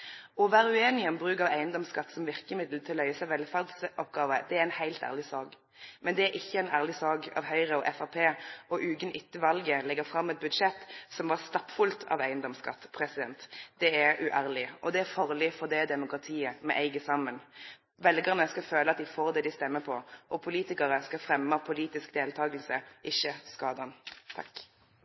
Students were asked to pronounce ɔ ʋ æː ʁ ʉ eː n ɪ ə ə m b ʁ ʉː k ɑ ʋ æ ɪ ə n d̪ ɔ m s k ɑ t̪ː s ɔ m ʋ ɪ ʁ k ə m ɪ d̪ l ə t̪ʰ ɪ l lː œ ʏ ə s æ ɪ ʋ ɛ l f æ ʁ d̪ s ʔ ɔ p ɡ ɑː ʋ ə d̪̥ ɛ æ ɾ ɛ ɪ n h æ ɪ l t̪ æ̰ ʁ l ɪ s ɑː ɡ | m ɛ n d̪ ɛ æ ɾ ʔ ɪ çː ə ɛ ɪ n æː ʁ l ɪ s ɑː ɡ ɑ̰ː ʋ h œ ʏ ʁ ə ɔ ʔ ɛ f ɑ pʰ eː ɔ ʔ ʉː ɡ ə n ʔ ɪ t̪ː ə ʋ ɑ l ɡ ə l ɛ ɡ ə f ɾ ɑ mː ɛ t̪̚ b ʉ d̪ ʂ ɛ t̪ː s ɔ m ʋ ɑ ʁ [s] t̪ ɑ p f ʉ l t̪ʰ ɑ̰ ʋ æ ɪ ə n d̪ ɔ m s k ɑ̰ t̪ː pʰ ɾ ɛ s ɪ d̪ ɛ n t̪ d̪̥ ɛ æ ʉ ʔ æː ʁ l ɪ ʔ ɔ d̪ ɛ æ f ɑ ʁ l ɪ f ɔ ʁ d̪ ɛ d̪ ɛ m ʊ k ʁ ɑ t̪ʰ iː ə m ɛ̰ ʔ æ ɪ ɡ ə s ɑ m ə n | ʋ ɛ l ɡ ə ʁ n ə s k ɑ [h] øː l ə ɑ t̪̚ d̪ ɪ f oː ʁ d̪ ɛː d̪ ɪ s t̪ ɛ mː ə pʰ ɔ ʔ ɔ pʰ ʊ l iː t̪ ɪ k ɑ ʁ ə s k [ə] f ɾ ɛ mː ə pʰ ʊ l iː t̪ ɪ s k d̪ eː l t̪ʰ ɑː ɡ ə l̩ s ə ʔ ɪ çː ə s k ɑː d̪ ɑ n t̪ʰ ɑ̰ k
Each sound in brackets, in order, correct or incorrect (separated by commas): correct, incorrect, incorrect